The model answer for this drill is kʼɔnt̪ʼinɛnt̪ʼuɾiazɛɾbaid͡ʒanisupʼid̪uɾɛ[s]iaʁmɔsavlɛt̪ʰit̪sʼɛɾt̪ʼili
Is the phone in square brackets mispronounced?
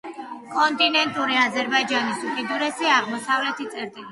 no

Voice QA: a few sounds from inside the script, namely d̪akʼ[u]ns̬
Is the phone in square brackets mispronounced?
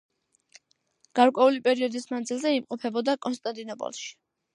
yes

